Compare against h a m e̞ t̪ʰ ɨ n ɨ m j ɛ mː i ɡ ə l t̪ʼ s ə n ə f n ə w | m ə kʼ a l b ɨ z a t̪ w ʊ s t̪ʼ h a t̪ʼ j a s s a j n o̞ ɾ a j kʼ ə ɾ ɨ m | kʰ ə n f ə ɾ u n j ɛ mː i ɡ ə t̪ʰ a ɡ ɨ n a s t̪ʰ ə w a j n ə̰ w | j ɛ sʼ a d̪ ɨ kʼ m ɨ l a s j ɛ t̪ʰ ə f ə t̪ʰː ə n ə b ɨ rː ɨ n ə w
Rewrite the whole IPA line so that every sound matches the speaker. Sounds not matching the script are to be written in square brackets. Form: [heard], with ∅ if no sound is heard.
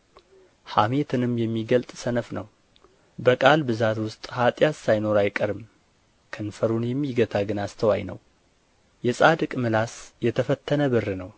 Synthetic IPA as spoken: h a m e̞ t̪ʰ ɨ n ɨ m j ɛ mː i ɡ ə l t̪ʼ s ə n ə f n ə w | [b] ə kʼ a l b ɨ z a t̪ w ʊ s t̪ʼ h a t̪ʼ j a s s a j n o̞ ɾ a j kʼ ə ɾ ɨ m | kʰ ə n f ə ɾ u n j ɛ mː i ɡ ə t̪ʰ a ɡ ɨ n a s t̪ʰ ə w a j n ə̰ w | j ɛ sʼ a d̪ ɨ kʼ m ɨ l a s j ɛ t̪ʰ ə f ə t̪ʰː ə n ə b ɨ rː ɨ n ə w